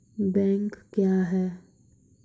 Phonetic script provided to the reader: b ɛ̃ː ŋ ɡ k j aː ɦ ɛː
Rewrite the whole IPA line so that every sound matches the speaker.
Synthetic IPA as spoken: b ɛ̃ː ŋ k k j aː ɦ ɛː

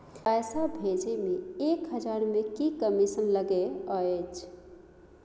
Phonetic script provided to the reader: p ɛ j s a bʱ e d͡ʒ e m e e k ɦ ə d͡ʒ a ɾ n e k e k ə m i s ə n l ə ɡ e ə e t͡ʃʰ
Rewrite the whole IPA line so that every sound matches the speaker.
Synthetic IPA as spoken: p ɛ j s a bʱ e d͡ʒ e m e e k ɦ ə d͡ʒ a ɾ m e k i k ə m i s ə n l ə ɡ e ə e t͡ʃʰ

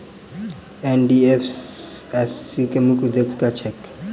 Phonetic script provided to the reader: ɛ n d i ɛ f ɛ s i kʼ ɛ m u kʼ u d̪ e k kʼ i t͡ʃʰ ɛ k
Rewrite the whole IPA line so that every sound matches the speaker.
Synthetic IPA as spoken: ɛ n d i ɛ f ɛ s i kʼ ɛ m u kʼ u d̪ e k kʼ a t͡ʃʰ ɛ k

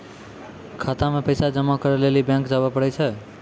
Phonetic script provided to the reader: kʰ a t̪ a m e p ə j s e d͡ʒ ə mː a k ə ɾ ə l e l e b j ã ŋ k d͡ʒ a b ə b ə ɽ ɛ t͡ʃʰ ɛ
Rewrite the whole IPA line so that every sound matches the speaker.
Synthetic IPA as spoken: kʰ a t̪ a m e p ə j s a d͡ʒ ə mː a k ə ɾ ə l e l i b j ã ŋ k d͡ʒ a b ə p ə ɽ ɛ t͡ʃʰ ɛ

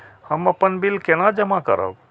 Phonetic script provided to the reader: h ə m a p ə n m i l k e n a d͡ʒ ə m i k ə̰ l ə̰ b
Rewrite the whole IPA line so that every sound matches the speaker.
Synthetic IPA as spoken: h ə m ə p ə n b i l k e n a d͡ʒ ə m a k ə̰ ɾ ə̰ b

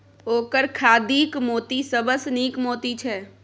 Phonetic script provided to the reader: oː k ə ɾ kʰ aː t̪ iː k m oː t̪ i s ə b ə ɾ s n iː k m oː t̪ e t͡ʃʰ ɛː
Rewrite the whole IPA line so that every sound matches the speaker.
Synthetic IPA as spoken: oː k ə ɾ kʰ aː d̪ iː k m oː t̪ i s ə b ə s n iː k m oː t̪ i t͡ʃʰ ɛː

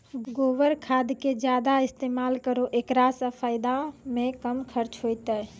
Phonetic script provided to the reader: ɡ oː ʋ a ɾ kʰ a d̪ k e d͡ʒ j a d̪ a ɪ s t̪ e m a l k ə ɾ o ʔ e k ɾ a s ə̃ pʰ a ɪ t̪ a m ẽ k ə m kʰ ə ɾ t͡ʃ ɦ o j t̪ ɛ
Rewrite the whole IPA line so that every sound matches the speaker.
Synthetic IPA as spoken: ɡ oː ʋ ə ɾ kʰ a d̪ k e d͡ʒ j a d̪ a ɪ s t̪ e m a l k ə ɾ o ʔ e k ɾ a s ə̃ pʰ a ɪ d̪ a m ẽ k ə m kʰ ə ɾ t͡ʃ ɦ o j t̪ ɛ

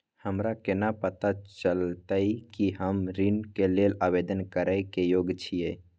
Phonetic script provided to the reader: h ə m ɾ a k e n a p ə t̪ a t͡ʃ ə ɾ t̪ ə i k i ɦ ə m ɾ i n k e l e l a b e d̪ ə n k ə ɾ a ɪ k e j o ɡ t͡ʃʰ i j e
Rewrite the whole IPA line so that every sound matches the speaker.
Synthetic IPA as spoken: h ə m ɾ a k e n a p ə t̪ a t͡ʃ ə l t̪ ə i k i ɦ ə m ɾ i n k e l e l a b e d̪ ə n k ə ɾ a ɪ k e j o ɡ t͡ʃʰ i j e

